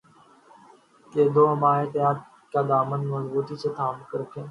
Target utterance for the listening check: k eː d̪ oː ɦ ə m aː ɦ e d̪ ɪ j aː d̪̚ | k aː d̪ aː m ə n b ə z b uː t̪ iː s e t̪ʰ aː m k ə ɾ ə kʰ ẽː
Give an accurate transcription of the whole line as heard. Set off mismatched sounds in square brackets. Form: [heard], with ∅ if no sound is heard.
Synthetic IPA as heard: k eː d̪ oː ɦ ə m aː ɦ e [t̪] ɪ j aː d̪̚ | k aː d̪ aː m ə n [m] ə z b uː t̪ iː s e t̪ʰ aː m k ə ɾ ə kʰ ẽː